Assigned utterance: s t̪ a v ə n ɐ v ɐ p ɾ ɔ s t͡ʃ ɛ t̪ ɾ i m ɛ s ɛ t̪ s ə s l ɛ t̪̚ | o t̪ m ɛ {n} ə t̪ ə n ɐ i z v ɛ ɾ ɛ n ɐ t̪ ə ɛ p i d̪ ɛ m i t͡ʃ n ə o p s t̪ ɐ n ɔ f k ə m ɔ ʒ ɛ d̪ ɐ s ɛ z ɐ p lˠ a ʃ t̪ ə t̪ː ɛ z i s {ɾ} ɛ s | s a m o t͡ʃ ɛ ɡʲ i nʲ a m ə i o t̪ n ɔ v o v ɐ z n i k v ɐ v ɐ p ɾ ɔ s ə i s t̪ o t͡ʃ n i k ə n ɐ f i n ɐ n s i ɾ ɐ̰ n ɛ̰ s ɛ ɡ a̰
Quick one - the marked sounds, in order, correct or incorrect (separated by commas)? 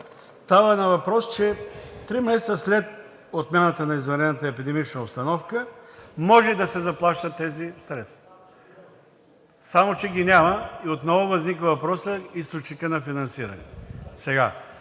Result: correct, correct